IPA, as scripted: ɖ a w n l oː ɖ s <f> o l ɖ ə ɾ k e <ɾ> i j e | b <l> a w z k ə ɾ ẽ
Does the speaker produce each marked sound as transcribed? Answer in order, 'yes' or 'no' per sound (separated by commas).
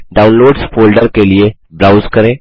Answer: yes, no, no